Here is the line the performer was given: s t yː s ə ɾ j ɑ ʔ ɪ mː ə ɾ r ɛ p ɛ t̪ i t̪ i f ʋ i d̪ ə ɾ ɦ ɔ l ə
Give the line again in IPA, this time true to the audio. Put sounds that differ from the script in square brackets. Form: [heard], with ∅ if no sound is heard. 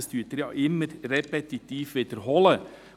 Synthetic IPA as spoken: s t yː [t] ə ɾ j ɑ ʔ ɪ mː ə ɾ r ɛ p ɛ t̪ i t̪ [iː] f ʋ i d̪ ə ɾ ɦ ɔ l ə